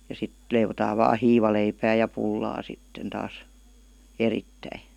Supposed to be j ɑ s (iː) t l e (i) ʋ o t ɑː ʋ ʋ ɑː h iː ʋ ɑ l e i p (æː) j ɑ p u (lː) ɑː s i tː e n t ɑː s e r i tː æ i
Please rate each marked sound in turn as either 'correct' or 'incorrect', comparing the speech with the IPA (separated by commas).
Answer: incorrect, correct, correct, correct